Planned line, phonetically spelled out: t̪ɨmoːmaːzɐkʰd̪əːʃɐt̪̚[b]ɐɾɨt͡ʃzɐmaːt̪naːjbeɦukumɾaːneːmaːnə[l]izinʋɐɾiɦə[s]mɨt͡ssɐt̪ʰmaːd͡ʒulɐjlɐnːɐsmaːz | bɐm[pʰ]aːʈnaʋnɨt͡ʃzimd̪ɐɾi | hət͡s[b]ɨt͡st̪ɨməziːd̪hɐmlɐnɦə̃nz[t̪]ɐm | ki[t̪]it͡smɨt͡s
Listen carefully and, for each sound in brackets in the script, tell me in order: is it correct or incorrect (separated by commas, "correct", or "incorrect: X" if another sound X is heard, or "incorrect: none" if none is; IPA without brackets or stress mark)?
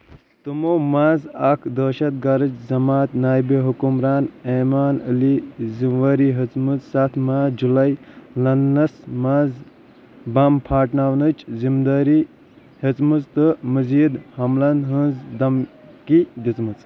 incorrect: ɡ, correct, incorrect: t͡s, correct, incorrect: m, incorrect: d̪, incorrect: d̪